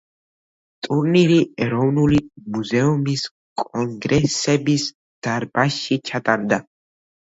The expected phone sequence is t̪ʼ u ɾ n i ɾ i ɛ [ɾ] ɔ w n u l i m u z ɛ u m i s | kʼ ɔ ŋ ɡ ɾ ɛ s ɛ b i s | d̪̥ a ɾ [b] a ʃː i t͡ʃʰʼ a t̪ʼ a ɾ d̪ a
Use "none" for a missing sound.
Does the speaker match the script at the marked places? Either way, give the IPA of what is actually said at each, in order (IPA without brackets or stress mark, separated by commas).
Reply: ɾ, b